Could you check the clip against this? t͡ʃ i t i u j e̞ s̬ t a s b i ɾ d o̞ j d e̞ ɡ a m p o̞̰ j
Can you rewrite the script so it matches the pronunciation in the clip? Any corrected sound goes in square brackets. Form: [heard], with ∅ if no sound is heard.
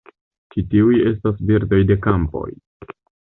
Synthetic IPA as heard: t͡ʃ i t i u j e̞ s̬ t a s b i ɾ d o̞ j d e̞ [k] a m p o̞̰ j